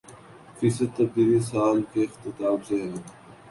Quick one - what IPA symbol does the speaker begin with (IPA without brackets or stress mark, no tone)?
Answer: f